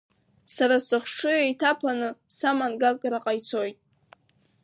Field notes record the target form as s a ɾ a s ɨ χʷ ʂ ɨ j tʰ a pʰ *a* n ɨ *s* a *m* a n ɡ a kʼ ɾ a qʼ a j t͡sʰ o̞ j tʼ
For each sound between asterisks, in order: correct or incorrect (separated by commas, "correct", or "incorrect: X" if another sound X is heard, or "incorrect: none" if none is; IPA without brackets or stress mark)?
correct, correct, correct